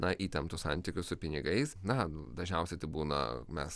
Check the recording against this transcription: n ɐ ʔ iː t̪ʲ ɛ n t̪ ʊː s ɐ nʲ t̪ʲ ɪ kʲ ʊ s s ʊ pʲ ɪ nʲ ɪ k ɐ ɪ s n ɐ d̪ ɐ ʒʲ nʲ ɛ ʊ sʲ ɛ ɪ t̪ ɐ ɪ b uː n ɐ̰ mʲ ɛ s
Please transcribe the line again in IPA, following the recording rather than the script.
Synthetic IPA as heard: n ɐ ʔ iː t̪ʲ ɛ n t̪ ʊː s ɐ nʲ t̪ʲ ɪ kʲ ʊ s s ʊ pʲ ɪ nʲ ɪ ɡ ɐ ɪ s n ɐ d̪ ɐ ʒʲ nʲ ɛ ʊ sʲ ɛ ɪ t̪ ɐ ɪ b uː n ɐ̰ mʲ ɛ s